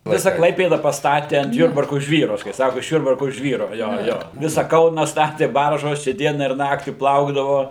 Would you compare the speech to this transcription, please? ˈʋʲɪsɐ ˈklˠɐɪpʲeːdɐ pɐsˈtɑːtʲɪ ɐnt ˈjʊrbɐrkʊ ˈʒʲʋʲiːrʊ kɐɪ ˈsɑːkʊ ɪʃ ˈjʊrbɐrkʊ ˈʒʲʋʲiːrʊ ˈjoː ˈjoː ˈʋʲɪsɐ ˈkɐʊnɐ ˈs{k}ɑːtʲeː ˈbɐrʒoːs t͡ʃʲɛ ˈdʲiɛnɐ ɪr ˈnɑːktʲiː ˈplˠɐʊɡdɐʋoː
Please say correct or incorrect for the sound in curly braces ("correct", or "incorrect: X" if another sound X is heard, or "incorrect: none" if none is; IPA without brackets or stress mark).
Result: incorrect: t